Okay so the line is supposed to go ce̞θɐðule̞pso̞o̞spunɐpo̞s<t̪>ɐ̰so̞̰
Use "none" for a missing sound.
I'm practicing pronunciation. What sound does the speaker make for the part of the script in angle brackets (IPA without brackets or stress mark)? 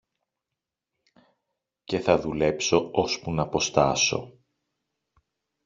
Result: t̪